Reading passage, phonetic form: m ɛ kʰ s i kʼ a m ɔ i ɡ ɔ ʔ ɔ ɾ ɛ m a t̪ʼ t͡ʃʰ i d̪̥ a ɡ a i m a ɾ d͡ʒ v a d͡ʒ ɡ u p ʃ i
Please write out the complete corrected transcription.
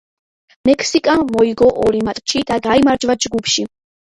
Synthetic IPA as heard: m ɛ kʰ s i kʼ a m ɔ i ɡ ɔ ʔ ɔ ɾ i m a t̪ʼ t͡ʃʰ i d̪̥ a ɡ a i m a ɾ d͡ʒ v a d͡ʒ ɡ u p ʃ i